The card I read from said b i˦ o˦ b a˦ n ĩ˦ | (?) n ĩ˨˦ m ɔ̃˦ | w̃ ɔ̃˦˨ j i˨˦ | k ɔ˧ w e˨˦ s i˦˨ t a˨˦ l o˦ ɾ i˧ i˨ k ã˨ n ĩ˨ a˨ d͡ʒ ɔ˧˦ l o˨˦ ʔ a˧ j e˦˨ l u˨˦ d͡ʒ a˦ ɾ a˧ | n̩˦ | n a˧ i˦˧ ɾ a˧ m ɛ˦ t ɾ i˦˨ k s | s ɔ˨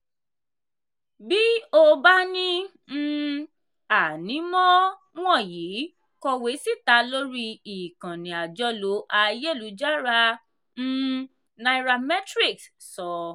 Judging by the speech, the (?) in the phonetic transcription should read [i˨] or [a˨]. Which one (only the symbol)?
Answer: a˨